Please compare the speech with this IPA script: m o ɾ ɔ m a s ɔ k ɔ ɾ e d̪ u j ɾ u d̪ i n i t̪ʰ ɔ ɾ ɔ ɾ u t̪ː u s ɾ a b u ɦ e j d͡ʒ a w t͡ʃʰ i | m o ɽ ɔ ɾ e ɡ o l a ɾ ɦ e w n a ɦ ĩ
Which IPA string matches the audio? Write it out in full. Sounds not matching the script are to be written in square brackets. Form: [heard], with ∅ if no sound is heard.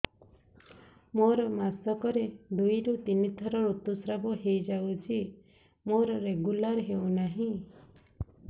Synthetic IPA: m o ɾ ɔ m a s ɔ k ɔ ɾ e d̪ u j ɾ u [t̪] i n i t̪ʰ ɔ ɾ ɔ ɾ u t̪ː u s ɾ a b [ɔ] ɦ e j d͡ʒ a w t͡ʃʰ i | m o [ɾ] ɔ ɾ e ɡ [u] l a ɾ ɦ e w n a ɦ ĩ